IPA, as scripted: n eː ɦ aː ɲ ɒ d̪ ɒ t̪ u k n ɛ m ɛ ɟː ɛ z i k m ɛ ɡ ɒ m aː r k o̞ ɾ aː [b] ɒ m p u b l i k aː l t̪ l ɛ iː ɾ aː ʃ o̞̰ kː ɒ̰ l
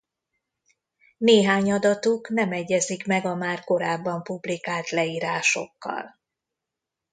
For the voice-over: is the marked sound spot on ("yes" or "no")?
no